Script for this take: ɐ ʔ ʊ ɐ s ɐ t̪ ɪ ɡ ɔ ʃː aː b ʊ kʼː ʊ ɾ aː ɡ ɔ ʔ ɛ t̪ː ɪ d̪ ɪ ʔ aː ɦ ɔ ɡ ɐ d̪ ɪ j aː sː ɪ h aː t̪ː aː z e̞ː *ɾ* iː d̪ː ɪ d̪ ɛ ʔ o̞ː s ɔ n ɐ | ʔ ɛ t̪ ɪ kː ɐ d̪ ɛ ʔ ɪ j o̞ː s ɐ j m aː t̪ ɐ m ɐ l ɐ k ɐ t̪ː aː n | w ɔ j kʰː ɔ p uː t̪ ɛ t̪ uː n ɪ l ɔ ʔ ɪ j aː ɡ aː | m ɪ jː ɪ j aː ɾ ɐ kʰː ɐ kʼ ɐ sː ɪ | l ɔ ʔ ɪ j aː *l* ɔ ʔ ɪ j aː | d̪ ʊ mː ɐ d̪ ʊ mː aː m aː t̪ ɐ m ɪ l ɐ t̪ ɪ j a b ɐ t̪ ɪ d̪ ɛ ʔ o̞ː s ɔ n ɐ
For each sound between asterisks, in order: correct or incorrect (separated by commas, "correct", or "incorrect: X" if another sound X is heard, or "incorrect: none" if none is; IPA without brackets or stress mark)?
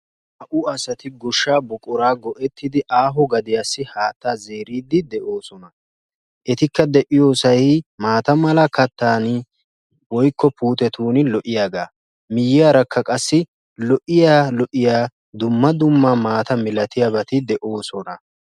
correct, correct